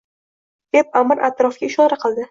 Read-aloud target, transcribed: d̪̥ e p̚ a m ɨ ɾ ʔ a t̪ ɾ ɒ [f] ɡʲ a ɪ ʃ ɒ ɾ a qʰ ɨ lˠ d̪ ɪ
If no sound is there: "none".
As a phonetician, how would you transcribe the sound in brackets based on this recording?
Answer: f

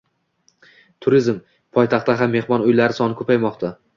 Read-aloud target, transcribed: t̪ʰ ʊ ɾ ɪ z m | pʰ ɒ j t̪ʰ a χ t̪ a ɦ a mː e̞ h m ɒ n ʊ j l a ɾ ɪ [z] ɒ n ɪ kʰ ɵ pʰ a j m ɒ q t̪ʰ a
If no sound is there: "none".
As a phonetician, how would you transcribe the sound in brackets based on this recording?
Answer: s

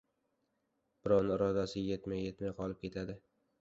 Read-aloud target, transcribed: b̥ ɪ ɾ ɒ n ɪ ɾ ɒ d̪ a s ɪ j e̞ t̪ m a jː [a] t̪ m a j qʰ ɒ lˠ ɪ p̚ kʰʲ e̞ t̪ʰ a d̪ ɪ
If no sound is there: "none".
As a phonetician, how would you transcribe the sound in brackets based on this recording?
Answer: e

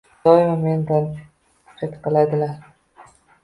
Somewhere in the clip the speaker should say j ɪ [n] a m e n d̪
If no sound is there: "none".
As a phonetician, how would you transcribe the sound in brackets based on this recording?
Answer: m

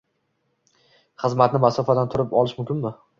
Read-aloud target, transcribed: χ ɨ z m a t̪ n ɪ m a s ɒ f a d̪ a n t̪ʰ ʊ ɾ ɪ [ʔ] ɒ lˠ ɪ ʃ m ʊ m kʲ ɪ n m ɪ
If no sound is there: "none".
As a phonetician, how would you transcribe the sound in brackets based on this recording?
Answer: p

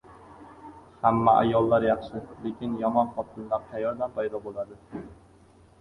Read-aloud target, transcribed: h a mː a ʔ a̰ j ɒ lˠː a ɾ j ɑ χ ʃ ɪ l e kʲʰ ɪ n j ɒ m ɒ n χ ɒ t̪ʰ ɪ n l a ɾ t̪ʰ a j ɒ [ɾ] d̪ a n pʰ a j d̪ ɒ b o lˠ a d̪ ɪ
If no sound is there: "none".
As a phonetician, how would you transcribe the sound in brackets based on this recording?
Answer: ɾ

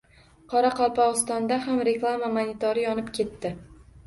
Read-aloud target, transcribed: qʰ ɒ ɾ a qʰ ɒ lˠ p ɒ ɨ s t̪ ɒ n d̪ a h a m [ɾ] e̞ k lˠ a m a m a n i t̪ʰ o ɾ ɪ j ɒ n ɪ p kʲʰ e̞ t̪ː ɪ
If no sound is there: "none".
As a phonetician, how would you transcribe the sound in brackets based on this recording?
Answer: ɾ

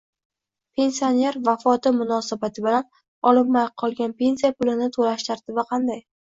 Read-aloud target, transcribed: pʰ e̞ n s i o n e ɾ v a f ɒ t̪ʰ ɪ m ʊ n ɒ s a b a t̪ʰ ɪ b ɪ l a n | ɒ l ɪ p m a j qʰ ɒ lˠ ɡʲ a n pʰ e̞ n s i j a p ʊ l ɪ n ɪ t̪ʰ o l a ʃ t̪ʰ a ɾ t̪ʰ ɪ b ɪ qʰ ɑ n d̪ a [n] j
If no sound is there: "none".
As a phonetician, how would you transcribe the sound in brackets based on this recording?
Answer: none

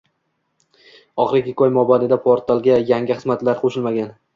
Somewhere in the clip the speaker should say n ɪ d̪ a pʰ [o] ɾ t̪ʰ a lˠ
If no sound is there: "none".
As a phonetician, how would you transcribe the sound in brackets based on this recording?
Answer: o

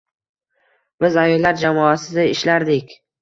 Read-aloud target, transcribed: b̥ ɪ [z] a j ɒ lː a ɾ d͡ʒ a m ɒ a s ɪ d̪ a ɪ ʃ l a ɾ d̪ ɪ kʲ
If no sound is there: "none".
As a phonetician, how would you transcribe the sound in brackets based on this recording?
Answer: z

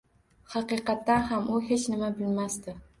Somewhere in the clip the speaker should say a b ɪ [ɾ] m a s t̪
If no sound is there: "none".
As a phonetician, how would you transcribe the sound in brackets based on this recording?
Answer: l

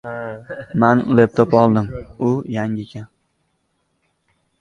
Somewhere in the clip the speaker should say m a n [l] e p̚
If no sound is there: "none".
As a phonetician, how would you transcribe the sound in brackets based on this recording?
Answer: l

